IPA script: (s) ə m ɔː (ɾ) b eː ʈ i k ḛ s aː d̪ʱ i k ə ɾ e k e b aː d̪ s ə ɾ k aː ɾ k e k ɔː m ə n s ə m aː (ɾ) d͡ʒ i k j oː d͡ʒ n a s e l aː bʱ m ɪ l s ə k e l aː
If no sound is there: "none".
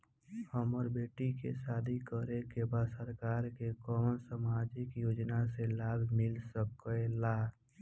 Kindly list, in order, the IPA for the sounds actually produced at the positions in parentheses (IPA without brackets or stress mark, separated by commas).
h, ɾ, none